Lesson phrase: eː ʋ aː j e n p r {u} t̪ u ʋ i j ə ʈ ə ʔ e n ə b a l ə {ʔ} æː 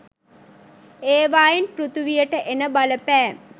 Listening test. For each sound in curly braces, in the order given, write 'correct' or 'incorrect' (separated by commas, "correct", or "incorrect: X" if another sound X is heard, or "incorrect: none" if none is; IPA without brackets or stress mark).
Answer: correct, incorrect: p